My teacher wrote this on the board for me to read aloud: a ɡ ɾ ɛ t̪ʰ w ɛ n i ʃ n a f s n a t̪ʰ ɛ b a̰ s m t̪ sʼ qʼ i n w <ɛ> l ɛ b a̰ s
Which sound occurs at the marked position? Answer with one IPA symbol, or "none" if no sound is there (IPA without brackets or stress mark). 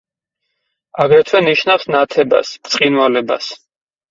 a